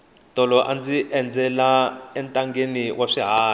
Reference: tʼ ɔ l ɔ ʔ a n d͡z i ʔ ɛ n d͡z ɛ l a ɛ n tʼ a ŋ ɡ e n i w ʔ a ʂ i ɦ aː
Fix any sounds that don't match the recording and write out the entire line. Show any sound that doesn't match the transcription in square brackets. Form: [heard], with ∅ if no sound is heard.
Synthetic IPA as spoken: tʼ ɔ l ɔ ʔ a n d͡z i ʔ ɛ n d͡z ɛ l a ɛ n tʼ a ŋ ɡ e n i w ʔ a ʂ i ɦ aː